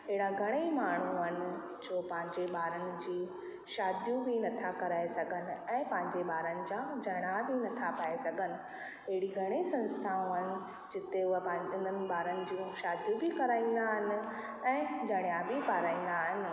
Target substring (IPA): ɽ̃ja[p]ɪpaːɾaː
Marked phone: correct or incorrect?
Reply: incorrect